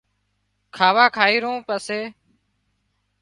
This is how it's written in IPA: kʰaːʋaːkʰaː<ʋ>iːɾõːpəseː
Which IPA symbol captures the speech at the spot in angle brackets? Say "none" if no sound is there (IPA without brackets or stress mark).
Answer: none